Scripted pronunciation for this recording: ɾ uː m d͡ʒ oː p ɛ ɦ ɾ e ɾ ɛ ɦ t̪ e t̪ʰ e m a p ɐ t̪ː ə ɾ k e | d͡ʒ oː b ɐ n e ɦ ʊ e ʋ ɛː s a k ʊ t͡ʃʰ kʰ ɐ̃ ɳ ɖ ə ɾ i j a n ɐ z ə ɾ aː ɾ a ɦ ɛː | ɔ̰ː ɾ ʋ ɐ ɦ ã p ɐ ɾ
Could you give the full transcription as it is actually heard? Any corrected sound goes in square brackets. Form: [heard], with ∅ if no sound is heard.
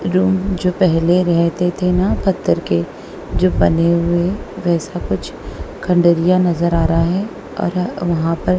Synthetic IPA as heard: ɾ uː m d͡ʒ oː p ɛ ɦ [l] e ɾ ɛ ɦ t̪ e t̪ʰ e [n] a p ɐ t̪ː ə ɾ k e | d͡ʒ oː b ɐ n e ɦ ʊ e ʋ ɛː s a k ʊ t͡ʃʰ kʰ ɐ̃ ɳ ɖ ə ɾ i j a n ɐ z ə ɾ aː ɾ a ɦ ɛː | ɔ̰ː ɾ ʋ ɐ ɦ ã p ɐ ɾ